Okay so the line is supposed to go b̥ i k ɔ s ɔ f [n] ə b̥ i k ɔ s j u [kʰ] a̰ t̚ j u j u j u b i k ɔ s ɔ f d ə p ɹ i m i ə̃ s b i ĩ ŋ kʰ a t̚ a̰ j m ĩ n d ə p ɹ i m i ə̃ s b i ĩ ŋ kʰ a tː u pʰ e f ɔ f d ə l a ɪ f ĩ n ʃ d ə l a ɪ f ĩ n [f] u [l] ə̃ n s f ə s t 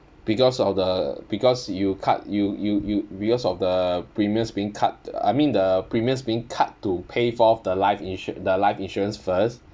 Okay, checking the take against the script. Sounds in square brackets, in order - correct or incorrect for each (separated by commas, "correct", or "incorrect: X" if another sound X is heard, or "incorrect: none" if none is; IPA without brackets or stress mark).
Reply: incorrect: d, correct, incorrect: ʃ, incorrect: ɹ